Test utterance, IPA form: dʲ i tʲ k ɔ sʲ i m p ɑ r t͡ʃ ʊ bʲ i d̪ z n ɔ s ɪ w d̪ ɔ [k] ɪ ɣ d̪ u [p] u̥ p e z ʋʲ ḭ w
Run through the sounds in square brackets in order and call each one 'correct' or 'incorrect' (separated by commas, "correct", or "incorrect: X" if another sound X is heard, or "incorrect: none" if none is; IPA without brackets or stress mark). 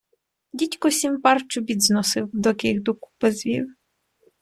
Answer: correct, incorrect: k